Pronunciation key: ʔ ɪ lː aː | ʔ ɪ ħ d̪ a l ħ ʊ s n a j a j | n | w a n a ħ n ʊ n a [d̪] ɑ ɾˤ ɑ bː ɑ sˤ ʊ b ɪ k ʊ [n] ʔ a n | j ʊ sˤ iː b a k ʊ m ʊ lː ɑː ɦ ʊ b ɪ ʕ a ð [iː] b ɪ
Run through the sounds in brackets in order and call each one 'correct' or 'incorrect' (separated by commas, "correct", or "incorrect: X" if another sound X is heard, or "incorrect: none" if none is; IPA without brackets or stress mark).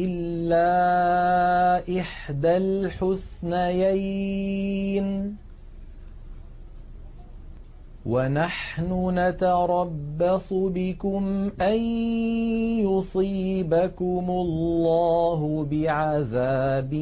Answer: incorrect: t̪, incorrect: m, incorrect: aː